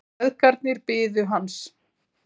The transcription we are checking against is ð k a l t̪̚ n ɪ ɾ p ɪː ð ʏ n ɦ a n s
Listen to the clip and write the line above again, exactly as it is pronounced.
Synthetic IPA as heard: ð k a ɾ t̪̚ n ɪ ɾ p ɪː ð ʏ ɦ a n s